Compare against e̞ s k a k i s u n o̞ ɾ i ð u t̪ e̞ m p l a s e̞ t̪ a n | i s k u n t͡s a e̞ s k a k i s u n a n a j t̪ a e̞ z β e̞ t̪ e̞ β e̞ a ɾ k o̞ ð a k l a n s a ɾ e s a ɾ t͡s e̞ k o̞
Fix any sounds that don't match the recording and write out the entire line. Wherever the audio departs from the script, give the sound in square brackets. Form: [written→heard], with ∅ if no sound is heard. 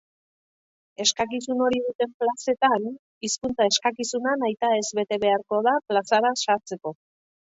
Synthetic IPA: e̞ s k a k i s u n o̞ ɾ i ð u t̪ e̞ m p l a s e̞ t̪ a n | i s k u n t͡s a e̞ s k a k i s u n a n a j t̪ a e̞ z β e̞ t̪ e̞ β e̞ a ɾ k o̞ ð a [k→p] l a [n→∅] s a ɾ [e→a] s a ɾ t͡s e̞ k o̞